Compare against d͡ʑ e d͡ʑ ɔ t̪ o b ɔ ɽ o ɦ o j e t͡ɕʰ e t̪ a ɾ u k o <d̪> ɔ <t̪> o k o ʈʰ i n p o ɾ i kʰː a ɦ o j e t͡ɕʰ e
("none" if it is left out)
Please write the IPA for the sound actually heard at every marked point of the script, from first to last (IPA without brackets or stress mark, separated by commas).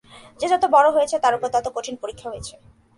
t̪, t̪